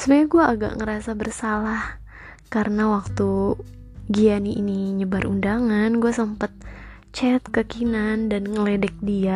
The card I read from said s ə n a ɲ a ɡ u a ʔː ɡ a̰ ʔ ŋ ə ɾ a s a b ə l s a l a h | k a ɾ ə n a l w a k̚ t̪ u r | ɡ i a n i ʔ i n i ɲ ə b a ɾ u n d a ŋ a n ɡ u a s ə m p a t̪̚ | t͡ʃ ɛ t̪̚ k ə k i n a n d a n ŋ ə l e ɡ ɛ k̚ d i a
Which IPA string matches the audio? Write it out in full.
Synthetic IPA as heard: s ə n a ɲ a ɡ u a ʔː ɡ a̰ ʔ ŋ ə ɾ a s a b ə r s a l a h | k a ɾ ə n a w a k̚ t̪ u | ɡ i a n i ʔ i n i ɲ ə b a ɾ u n d a ŋ a n ɡ u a s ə m p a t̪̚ | t͡ʃ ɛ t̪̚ k ə k i n a n d a n ŋ ə l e d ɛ k̚ d i a